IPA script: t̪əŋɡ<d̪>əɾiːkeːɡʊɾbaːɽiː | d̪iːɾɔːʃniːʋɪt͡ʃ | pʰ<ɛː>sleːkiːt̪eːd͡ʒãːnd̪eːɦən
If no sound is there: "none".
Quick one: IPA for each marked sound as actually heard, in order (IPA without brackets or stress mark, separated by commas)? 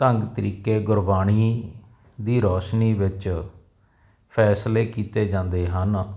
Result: t̪, ɛː